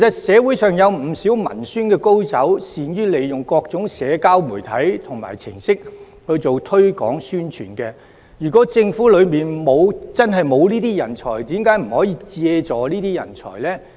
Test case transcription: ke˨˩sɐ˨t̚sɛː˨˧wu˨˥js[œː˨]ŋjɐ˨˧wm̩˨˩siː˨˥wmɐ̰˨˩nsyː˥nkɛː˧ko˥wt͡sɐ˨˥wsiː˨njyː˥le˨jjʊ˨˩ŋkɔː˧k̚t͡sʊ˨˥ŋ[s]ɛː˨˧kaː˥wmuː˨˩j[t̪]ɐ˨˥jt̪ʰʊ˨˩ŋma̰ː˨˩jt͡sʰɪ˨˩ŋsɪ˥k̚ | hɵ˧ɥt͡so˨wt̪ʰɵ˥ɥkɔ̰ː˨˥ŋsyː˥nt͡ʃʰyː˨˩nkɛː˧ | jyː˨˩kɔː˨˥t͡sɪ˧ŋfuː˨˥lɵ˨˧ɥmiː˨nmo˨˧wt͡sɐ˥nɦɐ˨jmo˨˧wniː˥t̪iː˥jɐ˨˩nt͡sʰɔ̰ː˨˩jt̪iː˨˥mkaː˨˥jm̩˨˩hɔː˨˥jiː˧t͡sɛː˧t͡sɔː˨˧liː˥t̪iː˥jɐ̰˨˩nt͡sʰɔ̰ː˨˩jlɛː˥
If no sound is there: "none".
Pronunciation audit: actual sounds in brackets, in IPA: œː˨, s, t̪ʰ

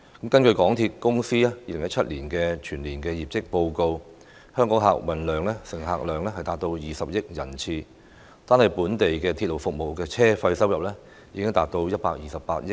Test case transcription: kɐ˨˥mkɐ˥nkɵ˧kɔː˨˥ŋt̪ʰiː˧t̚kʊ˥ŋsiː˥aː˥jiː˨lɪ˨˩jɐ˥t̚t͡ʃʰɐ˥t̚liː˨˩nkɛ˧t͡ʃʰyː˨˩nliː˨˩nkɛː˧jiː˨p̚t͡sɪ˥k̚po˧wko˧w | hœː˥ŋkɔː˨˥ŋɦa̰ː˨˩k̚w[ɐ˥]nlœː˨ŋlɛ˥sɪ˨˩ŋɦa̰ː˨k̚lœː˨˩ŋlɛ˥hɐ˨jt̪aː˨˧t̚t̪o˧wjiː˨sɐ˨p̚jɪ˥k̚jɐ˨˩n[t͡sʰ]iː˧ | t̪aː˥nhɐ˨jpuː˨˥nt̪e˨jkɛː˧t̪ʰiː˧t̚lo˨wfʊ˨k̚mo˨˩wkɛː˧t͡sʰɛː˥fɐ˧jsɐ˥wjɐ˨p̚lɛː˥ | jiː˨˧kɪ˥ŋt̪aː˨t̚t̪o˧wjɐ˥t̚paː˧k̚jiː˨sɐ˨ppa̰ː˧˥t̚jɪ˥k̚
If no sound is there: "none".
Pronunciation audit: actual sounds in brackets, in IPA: ɐ˨˩, t͡sʰ

